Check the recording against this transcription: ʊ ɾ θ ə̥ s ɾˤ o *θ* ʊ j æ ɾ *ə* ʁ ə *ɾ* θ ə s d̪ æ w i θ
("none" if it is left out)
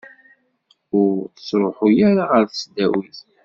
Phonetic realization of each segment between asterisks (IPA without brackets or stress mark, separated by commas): ħ, a, ɾ